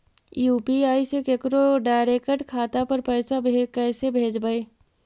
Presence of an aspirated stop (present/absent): present